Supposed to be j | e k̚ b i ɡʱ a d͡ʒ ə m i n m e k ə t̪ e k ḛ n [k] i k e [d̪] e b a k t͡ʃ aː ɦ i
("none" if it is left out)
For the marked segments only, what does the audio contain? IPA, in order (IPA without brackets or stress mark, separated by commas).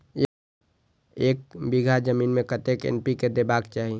p, d̪